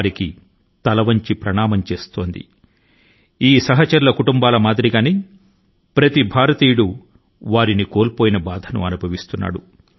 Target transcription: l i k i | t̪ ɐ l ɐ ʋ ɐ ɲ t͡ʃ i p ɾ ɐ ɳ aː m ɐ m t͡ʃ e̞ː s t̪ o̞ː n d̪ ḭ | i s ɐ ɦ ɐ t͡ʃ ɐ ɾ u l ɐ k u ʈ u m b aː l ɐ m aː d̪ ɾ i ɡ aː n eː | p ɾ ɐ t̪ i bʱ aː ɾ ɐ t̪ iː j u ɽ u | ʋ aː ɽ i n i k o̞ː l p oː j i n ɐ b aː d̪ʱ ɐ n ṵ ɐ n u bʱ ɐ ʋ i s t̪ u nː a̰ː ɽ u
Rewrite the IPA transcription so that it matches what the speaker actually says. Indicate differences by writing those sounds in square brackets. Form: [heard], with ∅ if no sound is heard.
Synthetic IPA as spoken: [ɾ] i k i | t̪ ɐ l ɐ ʋ ɐ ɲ t͡ʃ i p ɾ ɐ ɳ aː m ɐ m t͡ʃ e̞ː s t̪ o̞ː n d̪ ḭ | [iː] s ɐ ɦ ɐ t͡ʃ ɐ ɾ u l ɐ k u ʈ u m b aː l ɐ m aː d̪ ɾ i ɡ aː n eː | p ɾ ɐ t̪ i bʱ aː ɾ ɐ t̪ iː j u ɽ u | ʋ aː [ɾ] i n i k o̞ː l p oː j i n ɐ b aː d̪ʱ ɐ n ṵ ɐ n u bʱ ɐ ʋ i s t̪ u nː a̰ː ɽ u